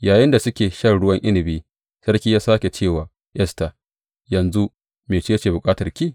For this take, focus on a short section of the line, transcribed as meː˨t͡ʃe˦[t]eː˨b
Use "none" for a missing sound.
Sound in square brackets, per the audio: t͡ʃ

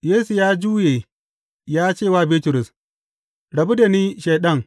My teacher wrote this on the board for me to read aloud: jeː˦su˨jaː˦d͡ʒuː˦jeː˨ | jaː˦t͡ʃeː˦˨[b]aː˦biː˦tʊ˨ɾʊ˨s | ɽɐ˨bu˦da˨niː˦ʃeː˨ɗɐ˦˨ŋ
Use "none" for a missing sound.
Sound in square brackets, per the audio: w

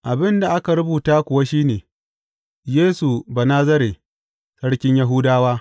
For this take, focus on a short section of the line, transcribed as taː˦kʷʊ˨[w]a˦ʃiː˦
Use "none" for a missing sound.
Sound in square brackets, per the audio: w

